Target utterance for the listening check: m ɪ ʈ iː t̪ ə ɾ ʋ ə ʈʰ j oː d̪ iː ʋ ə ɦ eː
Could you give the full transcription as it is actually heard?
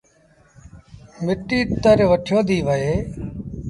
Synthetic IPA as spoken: m ɪ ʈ iː t̪ ə ɾ ʋ ə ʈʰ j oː d̪ iː ʋ ə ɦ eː